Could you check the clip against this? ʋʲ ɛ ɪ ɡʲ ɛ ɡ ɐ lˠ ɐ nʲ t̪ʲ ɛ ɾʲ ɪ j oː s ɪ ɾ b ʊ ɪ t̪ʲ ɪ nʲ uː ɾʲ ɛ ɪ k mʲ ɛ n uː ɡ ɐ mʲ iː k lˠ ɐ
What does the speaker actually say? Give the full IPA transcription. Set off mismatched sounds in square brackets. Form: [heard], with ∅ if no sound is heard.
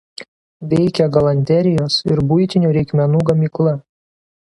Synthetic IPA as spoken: ʋʲ ɛ ɪ [kʲ] ɛ ɡ ɐ lˠ ɐ nʲ t̪ʲ ɛ ɾʲ ɪ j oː s ɪ ɾ b ʊ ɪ t̪ʲ ɪ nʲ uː ɾʲ ɛ ɪ k mʲ ɛ n uː ɡ ɐ mʲ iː k lˠ ɐ

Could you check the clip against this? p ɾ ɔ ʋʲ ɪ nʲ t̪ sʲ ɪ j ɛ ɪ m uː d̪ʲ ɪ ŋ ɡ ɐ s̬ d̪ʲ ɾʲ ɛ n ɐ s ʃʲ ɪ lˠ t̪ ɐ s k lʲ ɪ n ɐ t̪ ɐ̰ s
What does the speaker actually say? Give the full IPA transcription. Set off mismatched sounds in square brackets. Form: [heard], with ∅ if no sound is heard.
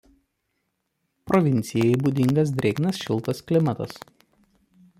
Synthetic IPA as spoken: p ɾ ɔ ʋʲ ɪ nʲ t̪ sʲ ɪ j ɛ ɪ [b] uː d̪ʲ ɪ ŋ ɡ ɐ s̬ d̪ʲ ɾʲ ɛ n ɐ s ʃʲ ɪ lˠ t̪ ɐ s k lʲ ɪ [m] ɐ t̪ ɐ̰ s

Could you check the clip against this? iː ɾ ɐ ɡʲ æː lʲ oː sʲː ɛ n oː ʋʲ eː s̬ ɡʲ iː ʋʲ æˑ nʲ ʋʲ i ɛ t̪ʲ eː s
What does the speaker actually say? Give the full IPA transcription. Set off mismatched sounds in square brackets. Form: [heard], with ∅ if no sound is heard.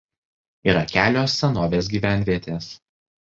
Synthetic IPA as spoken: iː ɾ ɐ [kʲ] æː lʲ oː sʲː ɛ n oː ʋʲ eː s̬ ɡʲ iː ʋʲ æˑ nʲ ʋʲ i ɛ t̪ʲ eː s

